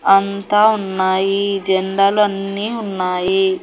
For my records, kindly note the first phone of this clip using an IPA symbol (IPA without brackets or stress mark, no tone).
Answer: ɐ